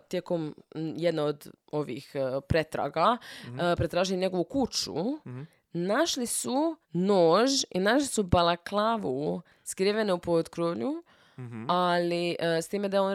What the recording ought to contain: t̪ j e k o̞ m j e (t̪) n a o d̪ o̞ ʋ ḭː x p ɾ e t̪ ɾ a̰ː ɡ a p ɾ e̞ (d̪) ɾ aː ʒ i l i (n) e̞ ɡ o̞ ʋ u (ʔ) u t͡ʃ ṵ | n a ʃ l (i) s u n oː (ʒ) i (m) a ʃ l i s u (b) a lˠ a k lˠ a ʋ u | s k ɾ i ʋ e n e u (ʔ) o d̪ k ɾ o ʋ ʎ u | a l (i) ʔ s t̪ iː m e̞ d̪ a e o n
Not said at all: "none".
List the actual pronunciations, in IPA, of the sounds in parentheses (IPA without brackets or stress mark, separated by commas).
d̪, t̪, ɲ, k, i, ʒ, n, b, p, i